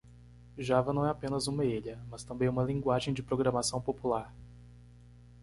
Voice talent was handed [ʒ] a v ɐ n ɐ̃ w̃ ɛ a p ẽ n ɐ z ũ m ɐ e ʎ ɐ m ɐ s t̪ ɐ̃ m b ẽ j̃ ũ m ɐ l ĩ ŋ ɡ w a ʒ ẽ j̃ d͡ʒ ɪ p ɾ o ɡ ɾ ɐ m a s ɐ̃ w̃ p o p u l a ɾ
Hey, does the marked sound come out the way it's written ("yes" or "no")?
yes